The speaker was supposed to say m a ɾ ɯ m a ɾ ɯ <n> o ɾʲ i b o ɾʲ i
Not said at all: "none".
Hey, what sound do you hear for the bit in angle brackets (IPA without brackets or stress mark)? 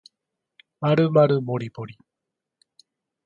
m